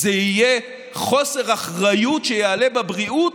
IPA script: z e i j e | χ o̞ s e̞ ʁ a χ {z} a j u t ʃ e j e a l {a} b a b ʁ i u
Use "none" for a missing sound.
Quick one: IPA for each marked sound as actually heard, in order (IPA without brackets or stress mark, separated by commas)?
ʁ, e